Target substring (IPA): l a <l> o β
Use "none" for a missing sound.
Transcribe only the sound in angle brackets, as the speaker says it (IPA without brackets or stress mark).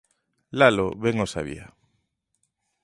l